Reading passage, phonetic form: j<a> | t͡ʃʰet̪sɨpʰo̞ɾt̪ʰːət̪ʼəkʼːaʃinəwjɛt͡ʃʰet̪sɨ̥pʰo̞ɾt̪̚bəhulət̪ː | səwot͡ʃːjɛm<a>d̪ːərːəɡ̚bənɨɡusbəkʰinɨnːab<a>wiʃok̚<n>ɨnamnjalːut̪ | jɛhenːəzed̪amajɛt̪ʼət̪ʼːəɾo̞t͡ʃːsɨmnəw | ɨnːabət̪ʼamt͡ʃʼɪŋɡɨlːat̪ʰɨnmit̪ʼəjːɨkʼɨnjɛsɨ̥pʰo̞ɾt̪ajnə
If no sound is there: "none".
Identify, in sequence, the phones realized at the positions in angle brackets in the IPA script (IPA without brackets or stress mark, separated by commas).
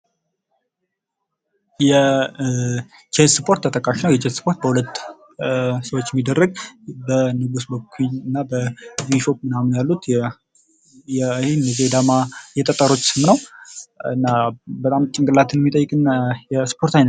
ɛ, i, ə, m